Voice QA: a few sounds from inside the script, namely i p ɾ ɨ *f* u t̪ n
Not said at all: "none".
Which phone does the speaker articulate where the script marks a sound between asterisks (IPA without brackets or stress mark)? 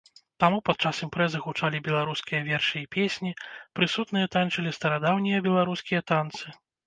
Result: s